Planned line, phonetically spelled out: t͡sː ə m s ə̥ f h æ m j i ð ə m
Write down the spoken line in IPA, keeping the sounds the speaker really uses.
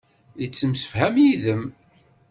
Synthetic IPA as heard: t͡sː ə m s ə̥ f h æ m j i ð ə m